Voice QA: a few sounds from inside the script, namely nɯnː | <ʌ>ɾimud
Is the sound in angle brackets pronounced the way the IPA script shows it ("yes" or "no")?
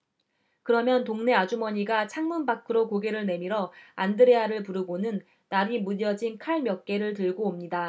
no